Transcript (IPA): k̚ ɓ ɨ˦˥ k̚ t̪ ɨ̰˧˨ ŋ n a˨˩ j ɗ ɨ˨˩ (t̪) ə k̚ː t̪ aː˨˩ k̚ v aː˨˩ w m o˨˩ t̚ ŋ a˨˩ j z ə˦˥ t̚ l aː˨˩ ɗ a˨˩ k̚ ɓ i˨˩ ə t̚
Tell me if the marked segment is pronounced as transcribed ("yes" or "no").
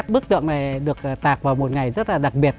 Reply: no